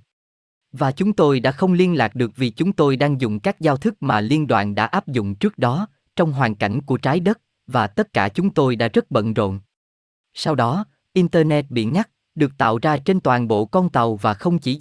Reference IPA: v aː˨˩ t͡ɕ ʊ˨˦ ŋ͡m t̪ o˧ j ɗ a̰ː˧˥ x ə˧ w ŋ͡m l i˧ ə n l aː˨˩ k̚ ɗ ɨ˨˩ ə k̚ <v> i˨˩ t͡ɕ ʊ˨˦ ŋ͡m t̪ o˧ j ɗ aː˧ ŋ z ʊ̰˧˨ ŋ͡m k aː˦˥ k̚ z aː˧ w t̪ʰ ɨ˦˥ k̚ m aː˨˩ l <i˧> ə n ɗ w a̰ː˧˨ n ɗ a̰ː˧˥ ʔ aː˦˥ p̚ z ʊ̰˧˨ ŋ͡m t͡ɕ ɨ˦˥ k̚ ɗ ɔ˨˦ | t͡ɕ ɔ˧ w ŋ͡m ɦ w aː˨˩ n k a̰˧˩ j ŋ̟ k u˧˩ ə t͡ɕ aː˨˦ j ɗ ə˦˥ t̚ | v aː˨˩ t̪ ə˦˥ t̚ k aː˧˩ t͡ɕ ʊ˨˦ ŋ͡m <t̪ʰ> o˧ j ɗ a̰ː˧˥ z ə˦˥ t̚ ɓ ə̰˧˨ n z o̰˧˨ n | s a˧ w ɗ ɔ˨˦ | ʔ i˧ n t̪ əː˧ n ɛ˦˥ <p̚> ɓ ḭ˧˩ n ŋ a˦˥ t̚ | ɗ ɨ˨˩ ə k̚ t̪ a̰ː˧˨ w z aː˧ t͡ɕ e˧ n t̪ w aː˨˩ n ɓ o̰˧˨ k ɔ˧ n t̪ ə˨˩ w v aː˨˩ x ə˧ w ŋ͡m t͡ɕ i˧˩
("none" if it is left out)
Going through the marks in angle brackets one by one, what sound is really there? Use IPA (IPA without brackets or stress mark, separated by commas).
v, i˧, t̪, t̚